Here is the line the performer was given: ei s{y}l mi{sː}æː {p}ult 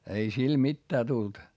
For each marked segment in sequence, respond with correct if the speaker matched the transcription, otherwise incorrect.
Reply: incorrect, incorrect, incorrect

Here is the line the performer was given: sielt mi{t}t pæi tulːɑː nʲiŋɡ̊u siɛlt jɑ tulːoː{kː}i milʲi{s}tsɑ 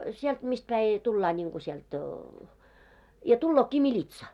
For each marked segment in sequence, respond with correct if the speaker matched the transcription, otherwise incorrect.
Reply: incorrect, correct, incorrect

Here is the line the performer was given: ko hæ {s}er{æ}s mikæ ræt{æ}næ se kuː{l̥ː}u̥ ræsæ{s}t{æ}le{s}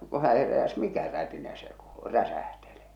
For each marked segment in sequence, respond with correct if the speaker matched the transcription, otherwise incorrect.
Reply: incorrect, correct, incorrect, incorrect, incorrect, incorrect, incorrect

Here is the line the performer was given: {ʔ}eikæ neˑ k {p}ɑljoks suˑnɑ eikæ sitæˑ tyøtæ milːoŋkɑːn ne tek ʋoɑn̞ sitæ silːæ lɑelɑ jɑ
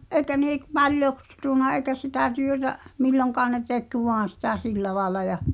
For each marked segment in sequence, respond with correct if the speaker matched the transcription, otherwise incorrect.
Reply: correct, correct

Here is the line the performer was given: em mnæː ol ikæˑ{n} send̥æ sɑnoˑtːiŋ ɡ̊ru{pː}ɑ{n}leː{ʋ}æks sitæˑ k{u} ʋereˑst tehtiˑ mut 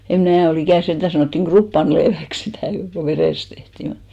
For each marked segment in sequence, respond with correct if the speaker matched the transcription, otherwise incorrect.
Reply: correct, correct, correct, correct, incorrect

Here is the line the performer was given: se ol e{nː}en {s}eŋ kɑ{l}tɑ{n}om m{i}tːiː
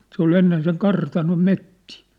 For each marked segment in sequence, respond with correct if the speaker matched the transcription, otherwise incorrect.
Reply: correct, correct, incorrect, correct, incorrect

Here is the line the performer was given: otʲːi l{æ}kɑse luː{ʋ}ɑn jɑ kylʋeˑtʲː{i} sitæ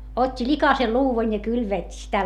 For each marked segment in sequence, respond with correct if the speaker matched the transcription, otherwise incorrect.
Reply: incorrect, correct, correct

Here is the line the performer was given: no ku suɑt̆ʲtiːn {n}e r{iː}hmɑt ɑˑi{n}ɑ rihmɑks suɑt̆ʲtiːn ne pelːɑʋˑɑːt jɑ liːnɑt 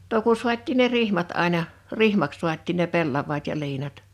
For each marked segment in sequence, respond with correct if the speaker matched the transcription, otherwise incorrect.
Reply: correct, incorrect, correct

